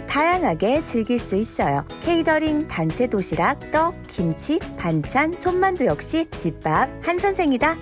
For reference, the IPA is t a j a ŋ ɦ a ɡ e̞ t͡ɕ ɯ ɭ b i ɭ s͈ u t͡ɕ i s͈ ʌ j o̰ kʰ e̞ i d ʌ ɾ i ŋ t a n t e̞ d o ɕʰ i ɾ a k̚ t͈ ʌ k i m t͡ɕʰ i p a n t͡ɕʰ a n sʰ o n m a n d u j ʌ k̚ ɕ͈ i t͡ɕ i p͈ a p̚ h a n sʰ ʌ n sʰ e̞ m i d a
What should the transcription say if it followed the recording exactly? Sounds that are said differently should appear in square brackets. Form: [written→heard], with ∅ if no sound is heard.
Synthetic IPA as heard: t a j a ŋ ɦ a ɡ e̞ t͡ɕ ɯ ɭ [b→ɡ] i ɭ s͈ u [t͡ɕ→∅] i s͈ ʌ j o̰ kʰ e̞ i d ʌ ɾ i ŋ t a n [t→t͡ɕʰ] e̞ d o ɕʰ i ɾ a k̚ t͈ ʌ k i m t͡ɕʰ i p a n t͡ɕʰ a n sʰ o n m a n d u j ʌ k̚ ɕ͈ i t͡ɕ i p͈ a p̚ h a n sʰ ʌ n sʰ e̞ [m→ŋ] i d a